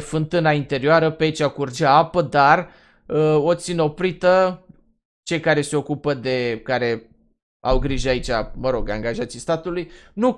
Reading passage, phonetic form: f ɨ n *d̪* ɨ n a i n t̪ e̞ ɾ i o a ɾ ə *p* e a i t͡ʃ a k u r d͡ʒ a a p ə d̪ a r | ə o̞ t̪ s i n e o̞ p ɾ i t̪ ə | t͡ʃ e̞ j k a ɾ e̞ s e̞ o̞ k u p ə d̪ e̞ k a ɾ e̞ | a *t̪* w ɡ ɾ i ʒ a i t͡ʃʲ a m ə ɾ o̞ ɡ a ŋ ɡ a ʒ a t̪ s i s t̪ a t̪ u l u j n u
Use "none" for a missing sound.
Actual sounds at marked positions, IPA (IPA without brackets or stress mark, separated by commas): t̪, p, none